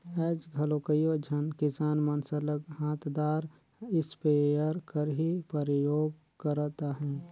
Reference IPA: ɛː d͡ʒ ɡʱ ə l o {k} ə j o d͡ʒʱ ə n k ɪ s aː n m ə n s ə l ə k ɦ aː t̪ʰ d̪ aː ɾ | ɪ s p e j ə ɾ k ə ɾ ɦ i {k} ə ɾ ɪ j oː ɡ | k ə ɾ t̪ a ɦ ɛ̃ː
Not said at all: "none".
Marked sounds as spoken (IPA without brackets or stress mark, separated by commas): k, p